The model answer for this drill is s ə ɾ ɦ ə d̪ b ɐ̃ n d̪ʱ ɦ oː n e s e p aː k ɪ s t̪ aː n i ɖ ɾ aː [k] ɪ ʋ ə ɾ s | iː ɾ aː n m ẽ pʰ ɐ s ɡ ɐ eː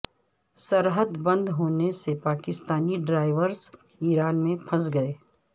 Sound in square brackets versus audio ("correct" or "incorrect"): incorrect